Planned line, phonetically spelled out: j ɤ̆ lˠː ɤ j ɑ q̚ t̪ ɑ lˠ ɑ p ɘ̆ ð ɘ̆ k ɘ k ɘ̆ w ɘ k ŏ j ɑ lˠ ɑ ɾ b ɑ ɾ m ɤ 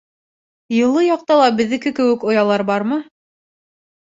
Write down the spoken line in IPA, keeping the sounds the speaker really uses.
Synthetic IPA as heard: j ɤ̆ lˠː ɤ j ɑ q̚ t̪ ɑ lˠ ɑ b ɘ̆ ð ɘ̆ k ɘ k ɘ̆ w ɘ k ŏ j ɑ lˠ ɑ ɾ b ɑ ɾ m ɤ